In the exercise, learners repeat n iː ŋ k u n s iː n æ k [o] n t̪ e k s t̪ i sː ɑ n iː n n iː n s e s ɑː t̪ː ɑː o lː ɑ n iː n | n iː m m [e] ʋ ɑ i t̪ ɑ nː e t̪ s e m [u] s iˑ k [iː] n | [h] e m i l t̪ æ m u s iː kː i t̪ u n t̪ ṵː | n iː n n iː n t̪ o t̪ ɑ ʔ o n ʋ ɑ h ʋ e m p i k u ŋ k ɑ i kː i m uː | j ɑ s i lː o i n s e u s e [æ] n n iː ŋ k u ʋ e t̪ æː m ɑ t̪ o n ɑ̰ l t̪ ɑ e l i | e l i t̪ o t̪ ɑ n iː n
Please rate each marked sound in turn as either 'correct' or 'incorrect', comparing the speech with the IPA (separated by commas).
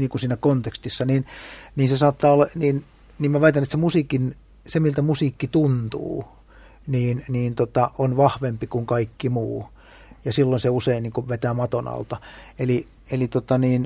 correct, incorrect, correct, incorrect, incorrect, incorrect